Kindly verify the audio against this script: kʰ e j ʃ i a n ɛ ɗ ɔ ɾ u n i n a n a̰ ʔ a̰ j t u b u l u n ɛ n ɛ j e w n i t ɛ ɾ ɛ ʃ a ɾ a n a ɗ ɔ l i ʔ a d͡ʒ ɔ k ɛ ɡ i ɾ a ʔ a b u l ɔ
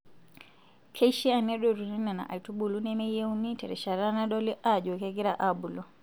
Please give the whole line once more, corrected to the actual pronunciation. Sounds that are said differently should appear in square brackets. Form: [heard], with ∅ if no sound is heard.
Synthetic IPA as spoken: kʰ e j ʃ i a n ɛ ɗ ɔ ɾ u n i n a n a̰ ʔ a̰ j t u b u l u n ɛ [m] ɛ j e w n i t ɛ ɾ ɛ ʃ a ɾ a n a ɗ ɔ l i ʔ a d͡ʒ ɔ k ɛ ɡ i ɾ a ʔ a b u l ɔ